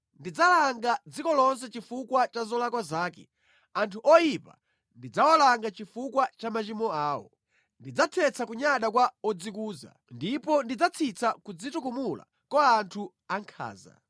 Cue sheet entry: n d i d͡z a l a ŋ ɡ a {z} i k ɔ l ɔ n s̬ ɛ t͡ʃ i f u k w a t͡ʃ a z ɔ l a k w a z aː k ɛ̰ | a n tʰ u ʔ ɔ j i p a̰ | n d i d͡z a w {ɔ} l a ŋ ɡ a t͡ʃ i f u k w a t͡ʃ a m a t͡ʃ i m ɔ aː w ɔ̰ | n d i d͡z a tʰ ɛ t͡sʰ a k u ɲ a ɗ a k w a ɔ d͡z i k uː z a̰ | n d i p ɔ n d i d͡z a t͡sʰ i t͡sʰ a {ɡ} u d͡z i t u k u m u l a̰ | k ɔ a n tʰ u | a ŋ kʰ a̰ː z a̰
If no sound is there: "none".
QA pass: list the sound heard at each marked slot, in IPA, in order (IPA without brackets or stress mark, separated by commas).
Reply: d͡z, ɔ, k